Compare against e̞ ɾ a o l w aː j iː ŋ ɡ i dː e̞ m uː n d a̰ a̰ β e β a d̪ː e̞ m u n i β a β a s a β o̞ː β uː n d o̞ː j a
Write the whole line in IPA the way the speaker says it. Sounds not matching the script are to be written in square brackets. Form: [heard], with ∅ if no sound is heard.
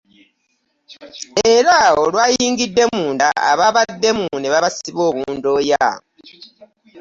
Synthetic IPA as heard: e̞ ɾ a o l w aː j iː ŋ ɡ i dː e̞ m uː n d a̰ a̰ β [a] β a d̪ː e̞ m u n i β a β a s [i] β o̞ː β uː n d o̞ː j a